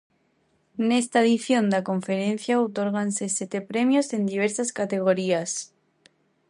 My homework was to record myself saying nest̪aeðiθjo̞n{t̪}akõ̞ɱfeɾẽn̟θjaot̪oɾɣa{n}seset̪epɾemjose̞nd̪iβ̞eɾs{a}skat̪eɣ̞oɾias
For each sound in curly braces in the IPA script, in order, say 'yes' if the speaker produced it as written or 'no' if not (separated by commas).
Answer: no, yes, yes